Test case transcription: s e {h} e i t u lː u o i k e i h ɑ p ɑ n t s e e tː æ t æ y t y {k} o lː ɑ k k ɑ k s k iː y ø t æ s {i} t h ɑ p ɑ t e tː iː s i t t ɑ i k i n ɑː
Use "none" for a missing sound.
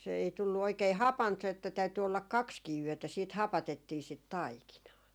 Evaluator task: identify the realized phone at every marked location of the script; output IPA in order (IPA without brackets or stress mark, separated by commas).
none, none, iː